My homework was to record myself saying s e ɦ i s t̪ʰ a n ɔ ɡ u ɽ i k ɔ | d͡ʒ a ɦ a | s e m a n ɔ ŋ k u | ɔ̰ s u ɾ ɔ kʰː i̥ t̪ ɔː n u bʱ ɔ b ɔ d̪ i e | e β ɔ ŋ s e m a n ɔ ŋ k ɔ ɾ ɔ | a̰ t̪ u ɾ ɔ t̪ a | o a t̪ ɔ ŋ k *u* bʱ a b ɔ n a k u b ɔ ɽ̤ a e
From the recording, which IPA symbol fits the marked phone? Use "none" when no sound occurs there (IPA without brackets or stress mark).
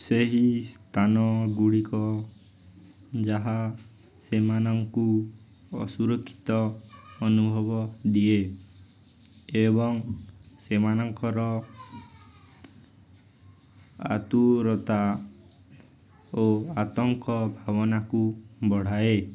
ɔ